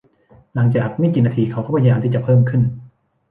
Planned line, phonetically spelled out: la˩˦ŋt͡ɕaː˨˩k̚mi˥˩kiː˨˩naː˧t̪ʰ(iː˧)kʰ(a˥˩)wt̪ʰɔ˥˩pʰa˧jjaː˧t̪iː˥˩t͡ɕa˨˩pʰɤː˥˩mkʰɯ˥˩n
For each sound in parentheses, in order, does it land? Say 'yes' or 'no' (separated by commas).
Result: yes, no